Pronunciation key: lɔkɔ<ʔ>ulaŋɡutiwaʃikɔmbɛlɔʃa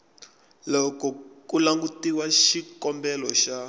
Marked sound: incorrect: k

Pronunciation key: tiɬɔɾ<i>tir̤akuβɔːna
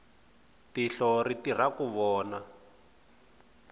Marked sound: correct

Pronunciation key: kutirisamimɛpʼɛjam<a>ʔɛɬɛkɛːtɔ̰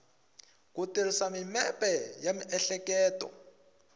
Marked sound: incorrect: i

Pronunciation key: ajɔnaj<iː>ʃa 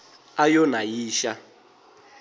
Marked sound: correct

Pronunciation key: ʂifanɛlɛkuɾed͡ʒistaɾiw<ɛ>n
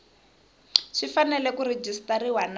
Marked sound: incorrect: a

